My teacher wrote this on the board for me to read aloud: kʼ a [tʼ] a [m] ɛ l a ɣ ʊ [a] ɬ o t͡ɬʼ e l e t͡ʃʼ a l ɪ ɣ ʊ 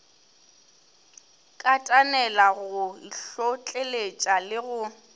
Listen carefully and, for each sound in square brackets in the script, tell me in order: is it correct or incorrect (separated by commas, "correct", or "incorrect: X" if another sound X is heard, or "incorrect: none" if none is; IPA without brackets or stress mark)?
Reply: correct, incorrect: n, incorrect: i